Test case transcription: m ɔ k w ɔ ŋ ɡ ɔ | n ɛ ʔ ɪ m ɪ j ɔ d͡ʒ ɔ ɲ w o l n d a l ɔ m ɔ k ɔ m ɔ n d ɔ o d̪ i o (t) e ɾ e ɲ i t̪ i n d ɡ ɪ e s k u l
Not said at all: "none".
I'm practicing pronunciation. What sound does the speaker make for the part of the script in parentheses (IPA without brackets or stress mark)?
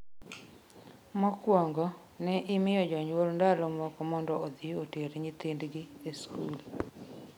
t